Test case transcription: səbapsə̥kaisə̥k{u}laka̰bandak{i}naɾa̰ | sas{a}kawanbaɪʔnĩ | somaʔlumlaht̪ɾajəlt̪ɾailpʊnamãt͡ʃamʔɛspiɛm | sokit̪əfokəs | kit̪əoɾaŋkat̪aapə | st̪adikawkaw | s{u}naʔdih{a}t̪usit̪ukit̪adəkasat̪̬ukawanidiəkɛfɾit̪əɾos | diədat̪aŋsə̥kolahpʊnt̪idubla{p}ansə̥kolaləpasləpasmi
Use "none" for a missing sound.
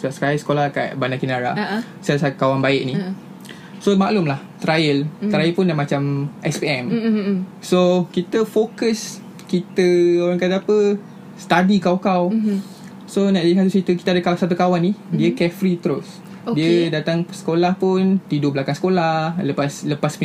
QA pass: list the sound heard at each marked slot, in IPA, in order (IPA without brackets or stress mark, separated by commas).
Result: o, i, a, o, a, k